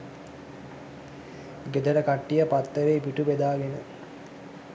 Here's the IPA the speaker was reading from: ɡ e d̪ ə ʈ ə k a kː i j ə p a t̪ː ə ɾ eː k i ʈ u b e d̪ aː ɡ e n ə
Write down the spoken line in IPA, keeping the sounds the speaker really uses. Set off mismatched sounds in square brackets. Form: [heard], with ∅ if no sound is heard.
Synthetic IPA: ɡ e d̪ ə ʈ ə k a [ʈː] i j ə p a t̪ː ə ɾ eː [p] i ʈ u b e d̪ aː ɡ e n ə